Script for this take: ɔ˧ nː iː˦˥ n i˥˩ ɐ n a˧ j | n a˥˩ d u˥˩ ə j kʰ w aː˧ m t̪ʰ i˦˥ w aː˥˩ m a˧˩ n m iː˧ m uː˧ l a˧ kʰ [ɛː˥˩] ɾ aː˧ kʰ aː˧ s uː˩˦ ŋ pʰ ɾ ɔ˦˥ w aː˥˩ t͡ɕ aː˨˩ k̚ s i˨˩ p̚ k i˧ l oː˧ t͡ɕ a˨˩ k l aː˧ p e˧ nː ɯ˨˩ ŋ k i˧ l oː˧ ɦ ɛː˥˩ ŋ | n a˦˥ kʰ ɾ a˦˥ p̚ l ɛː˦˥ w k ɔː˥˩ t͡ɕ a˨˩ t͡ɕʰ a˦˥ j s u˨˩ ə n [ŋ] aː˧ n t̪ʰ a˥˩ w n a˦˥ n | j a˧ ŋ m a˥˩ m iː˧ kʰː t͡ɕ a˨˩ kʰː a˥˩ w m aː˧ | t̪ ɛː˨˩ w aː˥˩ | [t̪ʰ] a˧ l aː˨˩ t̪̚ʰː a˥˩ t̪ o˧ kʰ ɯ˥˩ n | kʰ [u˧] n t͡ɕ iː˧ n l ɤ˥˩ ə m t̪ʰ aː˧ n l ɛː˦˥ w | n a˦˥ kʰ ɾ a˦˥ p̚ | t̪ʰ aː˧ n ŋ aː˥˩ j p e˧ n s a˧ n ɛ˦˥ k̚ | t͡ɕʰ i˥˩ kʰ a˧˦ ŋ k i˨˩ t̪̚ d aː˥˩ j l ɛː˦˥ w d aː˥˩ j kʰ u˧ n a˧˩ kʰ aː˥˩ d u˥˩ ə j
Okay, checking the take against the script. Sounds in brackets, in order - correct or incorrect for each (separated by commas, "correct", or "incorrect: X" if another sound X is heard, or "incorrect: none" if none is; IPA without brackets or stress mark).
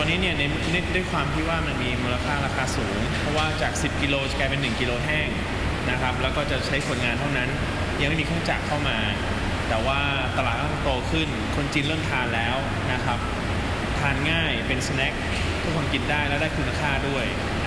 incorrect: aː˥˩, correct, incorrect: t̪, incorrect: o˧